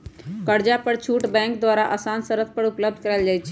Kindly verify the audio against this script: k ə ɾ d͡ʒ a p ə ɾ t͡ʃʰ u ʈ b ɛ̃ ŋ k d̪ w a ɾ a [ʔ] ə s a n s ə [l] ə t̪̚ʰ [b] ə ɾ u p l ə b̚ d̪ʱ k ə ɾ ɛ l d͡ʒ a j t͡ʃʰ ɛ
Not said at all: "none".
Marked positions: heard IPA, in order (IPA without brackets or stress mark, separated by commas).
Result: ʔ, ɾ, p